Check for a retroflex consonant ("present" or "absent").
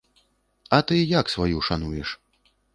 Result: present